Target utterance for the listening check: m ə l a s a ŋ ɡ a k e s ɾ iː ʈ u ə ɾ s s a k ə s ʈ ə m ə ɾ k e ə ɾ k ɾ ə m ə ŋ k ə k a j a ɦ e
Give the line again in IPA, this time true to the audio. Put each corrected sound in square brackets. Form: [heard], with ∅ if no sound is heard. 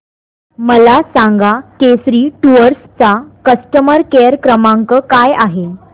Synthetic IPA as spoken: m ə l a s a ŋ ɡ a k e s ɾ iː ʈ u ə ɾ s [t͡s] a k ə s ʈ ə m ə ɾ k e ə ɾ k ɾ ə m [a] ŋ k ə k a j a ɦ e

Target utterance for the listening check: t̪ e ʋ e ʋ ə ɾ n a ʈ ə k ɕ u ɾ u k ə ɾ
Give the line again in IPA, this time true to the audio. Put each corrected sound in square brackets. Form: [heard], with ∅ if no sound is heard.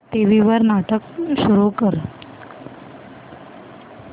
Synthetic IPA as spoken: t̪ e ʋ [i] ʋ ə ɾ n a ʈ ə k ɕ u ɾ u k ə ɾ

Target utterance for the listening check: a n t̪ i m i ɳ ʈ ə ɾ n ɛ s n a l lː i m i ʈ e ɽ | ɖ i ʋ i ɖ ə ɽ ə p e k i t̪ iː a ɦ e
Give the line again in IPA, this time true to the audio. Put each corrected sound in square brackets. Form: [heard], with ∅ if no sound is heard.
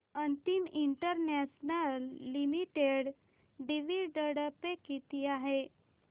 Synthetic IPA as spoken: [ə] n t̪ i m i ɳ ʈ ə ɾ n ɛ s n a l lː i m i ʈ e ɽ | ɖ i ʋ i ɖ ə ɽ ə p e k i t̪ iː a ɦ e

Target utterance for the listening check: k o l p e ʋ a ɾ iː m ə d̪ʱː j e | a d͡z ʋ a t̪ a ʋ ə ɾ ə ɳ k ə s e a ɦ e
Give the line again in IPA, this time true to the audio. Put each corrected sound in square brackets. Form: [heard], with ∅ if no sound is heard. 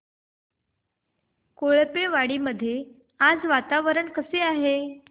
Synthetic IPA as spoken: k o [ɭ] p e ʋ a [ɽ] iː m ə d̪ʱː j e | a d͡z ʋ a t̪ a ʋ ə ɾ ə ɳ k ə s e a ɦ e

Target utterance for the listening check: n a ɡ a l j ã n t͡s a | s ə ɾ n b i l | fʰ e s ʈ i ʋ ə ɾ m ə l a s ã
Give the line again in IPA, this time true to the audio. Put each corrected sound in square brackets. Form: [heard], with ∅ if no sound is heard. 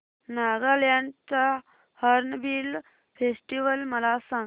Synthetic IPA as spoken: n a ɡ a l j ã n t͡s a | [h] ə ɾ n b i l | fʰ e s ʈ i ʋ ə [l] m ə l a s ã

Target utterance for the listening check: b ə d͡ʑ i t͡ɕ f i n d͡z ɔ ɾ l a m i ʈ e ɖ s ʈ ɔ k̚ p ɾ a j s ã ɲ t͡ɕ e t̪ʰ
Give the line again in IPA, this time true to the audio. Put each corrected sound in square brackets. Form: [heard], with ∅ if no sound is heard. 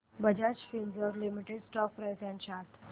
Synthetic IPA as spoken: b ə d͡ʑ [a] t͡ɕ f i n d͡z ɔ ɾ l [i] m i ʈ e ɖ s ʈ ɔ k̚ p ɾ a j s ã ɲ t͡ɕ [a] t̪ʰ

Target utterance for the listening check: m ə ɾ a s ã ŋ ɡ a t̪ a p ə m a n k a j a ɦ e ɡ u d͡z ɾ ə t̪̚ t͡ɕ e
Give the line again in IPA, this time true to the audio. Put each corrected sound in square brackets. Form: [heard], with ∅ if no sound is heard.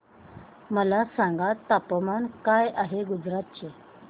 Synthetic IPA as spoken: m ə [l] a s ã ŋ ɡ a t̪ a p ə m a n k a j a ɦ e ɡ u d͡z ɾ [a] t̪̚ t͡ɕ e

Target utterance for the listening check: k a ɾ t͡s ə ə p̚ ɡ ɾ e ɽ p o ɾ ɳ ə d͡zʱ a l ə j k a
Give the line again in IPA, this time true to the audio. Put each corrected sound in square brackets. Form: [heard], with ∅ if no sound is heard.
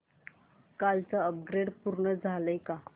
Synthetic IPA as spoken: k a [l] t͡s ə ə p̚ ɡ ɾ e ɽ p [u] ɾ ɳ ə d͡zʱ a l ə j k a

